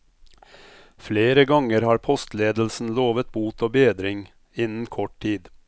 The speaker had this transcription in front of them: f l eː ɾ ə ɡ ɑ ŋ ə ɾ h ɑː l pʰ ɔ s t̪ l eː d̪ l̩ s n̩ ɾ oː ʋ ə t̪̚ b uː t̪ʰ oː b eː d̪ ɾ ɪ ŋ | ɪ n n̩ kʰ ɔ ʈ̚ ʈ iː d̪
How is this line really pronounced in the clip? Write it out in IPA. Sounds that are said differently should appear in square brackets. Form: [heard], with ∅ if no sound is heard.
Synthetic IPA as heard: f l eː ɾ ə ɡ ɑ ŋ ə ɾ h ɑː [ɾ] pʰ ɔ s t̪ l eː d̪ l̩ s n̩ [l] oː ʋ ə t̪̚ b uː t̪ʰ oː b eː d̪ ɾ ɪ ŋ | ɪ n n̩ kʰ ɔ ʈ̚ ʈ iː d̪

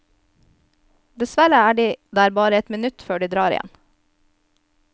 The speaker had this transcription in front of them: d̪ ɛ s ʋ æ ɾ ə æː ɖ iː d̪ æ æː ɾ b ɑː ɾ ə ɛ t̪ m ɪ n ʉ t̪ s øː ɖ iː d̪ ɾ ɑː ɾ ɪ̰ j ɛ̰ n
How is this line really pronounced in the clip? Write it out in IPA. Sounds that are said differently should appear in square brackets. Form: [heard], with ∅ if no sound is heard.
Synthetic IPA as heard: d̪ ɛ s ʋ æ ɾ ə æː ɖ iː d̪ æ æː ɾ b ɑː ɾ ə ɛ t̪ m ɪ n ʉ t̪ [f] øː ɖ iː d̪ ɾ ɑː ɾ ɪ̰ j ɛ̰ n

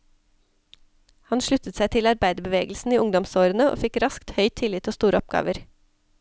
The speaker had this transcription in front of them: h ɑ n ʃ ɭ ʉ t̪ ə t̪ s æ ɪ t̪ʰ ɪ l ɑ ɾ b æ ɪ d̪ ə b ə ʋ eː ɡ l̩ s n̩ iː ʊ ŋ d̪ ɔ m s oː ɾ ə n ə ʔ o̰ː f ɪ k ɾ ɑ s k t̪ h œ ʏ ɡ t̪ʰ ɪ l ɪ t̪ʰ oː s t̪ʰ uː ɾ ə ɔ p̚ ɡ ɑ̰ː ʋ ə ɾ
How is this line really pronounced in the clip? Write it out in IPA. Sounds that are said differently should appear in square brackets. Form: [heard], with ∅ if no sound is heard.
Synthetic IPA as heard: h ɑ n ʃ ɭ ʉ t̪ ə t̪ s æ ɪ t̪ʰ ɪ l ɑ ɾ b æ ɪ d̪ ə b ə ʋ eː ɡ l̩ s n̩ iː ʊ ŋ d̪ ɔ m s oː ɾ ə n ə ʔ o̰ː f ɪ k ɾ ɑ s k t̪ h œ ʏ [∅] t̪ʰ ɪ l ɪ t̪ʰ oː s [t̪] uː ɾ ə ɔ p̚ ɡ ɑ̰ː ʋ ə ɾ

